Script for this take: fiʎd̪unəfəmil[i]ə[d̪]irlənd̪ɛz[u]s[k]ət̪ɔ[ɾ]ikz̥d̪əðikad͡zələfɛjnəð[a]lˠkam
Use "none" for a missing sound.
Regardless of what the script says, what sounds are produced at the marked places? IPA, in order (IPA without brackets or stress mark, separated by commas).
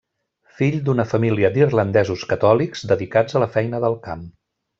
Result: i, d̪, u, k, l, ə